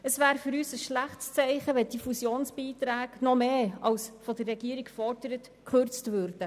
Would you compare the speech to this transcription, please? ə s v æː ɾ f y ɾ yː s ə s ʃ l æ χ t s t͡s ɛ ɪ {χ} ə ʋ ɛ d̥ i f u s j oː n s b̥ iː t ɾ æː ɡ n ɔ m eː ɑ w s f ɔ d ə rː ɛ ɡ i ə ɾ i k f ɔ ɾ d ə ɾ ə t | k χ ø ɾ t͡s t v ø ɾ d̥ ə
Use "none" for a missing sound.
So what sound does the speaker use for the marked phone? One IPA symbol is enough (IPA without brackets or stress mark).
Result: χ